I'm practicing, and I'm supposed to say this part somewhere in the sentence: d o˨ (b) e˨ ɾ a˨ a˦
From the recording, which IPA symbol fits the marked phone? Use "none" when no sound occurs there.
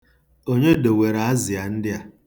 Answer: w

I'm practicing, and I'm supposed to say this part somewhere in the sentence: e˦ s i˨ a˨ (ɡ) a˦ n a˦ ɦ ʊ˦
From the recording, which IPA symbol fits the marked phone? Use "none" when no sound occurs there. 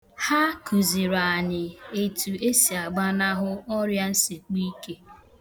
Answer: ɡ͡b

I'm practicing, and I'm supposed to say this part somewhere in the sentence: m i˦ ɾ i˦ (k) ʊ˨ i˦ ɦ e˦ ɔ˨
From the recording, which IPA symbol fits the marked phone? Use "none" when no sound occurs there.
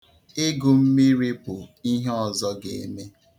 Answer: p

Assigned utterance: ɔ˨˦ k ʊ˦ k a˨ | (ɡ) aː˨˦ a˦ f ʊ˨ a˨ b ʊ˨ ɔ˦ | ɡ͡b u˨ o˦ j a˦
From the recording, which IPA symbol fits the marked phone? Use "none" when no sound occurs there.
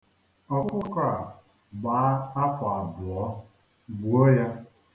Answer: ɡ͡b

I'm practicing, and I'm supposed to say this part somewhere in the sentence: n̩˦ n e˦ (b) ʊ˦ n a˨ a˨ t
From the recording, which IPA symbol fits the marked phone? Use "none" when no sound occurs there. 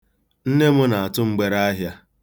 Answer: m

